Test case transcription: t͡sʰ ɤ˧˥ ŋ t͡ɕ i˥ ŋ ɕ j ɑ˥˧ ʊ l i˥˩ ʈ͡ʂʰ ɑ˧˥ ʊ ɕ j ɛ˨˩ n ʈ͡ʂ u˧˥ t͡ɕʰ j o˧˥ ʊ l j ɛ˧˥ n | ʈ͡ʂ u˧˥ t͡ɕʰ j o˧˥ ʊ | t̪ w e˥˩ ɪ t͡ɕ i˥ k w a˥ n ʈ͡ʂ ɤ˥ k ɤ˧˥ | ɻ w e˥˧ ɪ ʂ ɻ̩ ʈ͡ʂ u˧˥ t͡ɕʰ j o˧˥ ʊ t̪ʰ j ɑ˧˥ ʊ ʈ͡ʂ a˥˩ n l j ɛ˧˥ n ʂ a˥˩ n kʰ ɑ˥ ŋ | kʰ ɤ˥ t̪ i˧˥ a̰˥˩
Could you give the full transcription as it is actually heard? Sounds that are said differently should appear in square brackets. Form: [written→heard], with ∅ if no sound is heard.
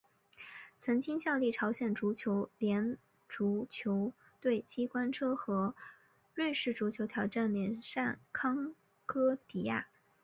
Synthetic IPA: t͡sʰ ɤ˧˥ ŋ t͡ɕ i˥ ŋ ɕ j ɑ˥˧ ʊ l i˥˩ ʈ͡ʂʰ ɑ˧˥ ʊ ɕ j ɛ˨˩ n ʈ͡ʂ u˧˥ t͡ɕʰ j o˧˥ ʊ l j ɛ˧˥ n | ʈ͡ʂ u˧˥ t͡ɕʰ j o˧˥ ʊ | t̪ w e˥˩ ɪ t͡ɕ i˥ k w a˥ n [ʈ͡ʂ→ʈ͡ʂʰ] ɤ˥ [k→x] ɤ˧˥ | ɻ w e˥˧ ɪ ʂ ɻ̩ ʈ͡ʂ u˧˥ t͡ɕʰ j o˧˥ ʊ t̪ʰ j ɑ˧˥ ʊ ʈ͡ʂ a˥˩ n l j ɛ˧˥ n ʂ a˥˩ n kʰ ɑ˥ ŋ | kʰ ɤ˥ t̪ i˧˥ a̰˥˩